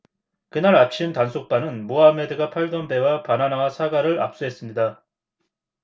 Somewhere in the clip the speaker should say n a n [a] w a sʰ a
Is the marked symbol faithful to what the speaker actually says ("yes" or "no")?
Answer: yes